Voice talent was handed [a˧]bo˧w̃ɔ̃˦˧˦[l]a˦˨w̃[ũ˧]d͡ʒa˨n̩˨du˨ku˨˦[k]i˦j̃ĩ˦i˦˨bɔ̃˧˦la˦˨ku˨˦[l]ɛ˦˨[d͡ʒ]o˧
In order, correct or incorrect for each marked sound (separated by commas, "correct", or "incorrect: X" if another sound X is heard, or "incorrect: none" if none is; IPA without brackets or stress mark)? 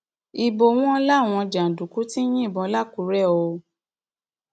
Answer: incorrect: i˧, correct, incorrect: ɔ̃˧, incorrect: t, incorrect: ɾ, incorrect: none